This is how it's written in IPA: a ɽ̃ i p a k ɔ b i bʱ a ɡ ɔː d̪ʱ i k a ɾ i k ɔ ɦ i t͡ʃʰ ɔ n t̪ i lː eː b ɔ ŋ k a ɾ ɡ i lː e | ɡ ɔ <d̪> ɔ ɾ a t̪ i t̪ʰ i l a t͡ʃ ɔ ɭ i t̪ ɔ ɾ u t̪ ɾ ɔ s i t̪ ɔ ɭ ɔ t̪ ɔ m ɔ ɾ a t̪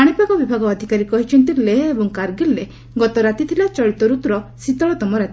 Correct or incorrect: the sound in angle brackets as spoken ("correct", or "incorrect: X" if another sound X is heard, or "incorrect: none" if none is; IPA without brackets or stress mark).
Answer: incorrect: t̪